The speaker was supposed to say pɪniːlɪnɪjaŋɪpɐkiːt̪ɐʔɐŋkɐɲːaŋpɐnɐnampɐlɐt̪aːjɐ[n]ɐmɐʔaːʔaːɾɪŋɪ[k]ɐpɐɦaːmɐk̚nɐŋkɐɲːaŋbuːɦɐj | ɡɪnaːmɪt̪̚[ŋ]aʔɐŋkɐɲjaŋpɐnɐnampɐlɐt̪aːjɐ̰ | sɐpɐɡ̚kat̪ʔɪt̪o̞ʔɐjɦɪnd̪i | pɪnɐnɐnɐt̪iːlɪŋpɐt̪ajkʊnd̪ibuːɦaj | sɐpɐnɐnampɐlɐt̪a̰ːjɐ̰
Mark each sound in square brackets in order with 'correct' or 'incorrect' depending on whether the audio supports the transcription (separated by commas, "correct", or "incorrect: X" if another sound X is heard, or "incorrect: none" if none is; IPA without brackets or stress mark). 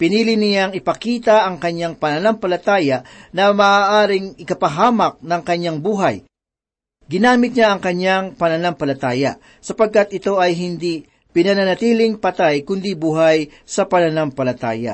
correct, correct, incorrect: ɲ